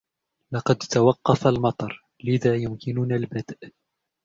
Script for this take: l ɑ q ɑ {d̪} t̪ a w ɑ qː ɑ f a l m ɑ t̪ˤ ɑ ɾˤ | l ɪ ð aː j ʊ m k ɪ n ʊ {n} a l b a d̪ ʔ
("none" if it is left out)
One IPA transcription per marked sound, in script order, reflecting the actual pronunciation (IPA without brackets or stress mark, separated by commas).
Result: d̪, n